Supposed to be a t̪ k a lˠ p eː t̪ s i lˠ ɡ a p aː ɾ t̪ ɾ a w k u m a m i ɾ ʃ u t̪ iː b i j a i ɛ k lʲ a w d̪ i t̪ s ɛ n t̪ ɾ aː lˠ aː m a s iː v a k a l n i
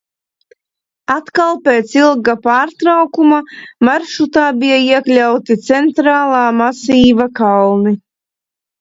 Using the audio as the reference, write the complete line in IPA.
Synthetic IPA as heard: a t̪ k a lˠ p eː t̪ s i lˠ ɡ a p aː ɾ t̪ ɾ a w k u m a m a ɾ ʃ u t̪ aː b i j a i ɛ k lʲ a w t̪ i t̪ s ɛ n t̪ ɾ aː lˠ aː m a s iː v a k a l n i